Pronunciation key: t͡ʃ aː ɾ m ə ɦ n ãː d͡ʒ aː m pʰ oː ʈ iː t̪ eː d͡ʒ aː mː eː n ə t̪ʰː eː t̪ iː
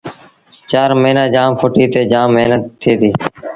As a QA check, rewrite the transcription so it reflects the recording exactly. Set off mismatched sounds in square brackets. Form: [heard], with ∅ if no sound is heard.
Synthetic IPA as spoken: t͡ʃ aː ɾ m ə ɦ n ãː d͡ʒ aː m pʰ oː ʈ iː t̪ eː d͡ʒ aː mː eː n ə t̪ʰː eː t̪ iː